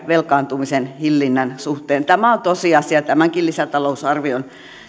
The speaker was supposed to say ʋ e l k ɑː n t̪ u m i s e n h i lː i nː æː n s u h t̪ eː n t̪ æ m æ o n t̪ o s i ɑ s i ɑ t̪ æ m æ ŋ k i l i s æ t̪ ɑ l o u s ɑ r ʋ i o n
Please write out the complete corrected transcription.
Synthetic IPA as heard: ʋ e l k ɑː n t̪ u m i s e n h i lː i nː æ n s u h t̪ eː n t̪ æ m æ o n t̪ o s i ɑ s i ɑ t̪ æ m æ ŋ k i l i s æ t̪ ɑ l o u s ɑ r ʋ i o n